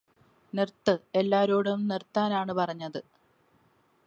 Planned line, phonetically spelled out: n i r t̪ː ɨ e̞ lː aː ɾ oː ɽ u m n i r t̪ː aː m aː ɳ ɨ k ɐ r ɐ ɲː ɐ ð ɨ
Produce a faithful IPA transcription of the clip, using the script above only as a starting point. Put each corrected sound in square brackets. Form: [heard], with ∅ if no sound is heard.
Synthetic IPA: n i r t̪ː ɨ e̞ lː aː ɾ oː ɽ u m n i r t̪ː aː [n] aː ɳ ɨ [p] ɐ r ɐ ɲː ɐ ð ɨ